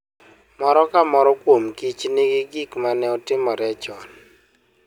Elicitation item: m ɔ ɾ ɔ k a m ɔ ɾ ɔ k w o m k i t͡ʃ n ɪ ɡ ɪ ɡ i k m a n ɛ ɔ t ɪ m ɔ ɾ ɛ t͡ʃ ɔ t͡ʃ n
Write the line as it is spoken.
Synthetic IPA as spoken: m ɔ ɾ ɔ k a m ɔ ɾ ɔ k w o m k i t͡ʃ n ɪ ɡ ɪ ɡ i k m a n ɛ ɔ t ɪ m ɔ ɾ ɛ t͡ʃ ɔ n

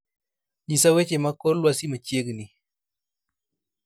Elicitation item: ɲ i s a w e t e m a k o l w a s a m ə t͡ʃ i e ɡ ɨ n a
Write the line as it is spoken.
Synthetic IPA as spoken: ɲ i s a w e t͡ʃ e m a k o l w a s i m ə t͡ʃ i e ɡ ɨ n i

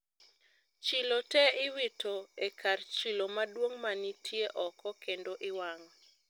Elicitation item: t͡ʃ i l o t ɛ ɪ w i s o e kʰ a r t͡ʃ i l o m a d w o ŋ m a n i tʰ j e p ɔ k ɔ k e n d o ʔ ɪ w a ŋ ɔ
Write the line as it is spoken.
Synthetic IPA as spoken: t͡ʃ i l o t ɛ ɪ w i t o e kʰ a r t͡ʃ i l o m a d w o ŋ m a n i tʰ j e ʔ ɔ k ɔ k e n d o ʔ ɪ w a ŋ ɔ

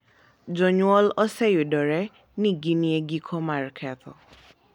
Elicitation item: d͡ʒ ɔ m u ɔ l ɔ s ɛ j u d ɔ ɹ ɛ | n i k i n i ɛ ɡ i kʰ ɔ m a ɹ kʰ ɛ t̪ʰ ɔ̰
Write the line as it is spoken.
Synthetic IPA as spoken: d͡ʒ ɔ ɲ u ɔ l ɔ s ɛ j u d ɔ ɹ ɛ | n i ɡ i n i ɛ ɡ i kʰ ɔ m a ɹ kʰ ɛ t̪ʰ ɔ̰

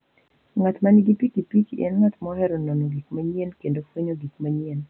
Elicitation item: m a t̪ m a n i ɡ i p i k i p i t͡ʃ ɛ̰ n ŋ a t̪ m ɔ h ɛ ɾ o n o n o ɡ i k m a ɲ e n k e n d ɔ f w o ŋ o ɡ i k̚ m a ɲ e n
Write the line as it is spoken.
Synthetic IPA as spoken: ŋ a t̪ m a n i ɡ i p i k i p i t͡ʃ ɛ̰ n ŋ a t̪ m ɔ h ɛ ɾ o n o n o ɡ i k m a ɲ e n k e n d o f w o ɲ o ɡ i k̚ m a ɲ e n

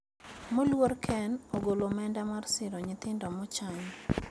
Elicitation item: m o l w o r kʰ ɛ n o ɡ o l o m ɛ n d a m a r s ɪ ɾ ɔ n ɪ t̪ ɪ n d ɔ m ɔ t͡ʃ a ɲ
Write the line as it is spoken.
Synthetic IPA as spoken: m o l w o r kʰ ɛ n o ɡ o l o m ɛ n d a m a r s ɪ ɾ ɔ ɲ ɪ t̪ ɪ n d ɔ m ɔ t͡ʃ a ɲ

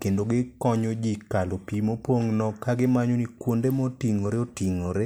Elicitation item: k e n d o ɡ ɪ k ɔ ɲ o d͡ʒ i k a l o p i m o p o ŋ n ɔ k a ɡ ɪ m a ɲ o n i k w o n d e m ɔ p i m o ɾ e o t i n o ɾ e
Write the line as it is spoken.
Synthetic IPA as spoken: k e n d o ɡ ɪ k ɔ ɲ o d͡ʒ i k a l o p i m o p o ŋ n ɔ k a ɡ ɪ m a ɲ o n i k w o n d e m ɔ t i ŋ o ɾ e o t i ŋ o ɾ e

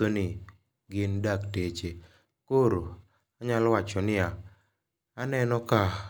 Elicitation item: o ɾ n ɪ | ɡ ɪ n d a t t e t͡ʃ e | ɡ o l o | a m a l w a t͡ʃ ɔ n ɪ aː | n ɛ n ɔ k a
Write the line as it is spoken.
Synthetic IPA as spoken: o n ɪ | ɡ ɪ n d a k t e t͡ʃ e | k o ɾ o | a ɲ a l w a t͡ʃ ɔ n ɪ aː | n ɛ n ɔ k a

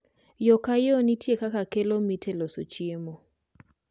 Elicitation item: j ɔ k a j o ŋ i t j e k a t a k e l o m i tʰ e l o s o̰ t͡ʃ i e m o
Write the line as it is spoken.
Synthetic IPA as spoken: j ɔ k a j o n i t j e k a k a k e l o m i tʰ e l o s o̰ t͡ʃ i e m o

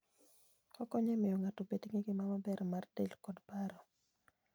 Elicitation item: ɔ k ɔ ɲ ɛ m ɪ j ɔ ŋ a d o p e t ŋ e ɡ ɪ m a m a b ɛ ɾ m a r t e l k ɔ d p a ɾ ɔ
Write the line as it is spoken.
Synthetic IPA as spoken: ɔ k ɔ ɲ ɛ m ɪ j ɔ ŋ a t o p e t ŋ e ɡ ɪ m a m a b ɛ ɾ m a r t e l k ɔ d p a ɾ ɔ

